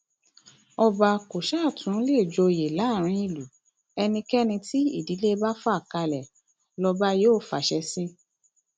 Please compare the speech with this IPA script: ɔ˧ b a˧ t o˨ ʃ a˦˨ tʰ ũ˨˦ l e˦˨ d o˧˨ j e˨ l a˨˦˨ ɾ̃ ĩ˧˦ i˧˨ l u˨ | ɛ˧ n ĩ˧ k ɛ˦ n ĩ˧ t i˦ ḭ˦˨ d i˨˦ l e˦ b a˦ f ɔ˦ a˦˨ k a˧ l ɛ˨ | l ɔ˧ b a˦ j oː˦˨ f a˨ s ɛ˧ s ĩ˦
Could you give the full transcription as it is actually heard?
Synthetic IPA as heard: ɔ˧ b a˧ k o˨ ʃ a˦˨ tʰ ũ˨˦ l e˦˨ d͡ʒ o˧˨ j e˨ l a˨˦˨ ɾ̃ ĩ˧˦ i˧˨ l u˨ | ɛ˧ n ĩ˧ k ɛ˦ n ĩ˧ t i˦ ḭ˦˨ d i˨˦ l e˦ b a˦ f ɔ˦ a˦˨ k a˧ l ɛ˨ | l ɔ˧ b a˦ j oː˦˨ f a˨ ʃ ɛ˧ s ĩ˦